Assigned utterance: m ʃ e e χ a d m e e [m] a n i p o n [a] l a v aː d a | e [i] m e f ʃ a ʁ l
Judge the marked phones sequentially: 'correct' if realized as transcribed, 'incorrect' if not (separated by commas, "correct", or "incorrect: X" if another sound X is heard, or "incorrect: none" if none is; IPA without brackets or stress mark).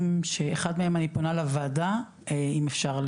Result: correct, correct, correct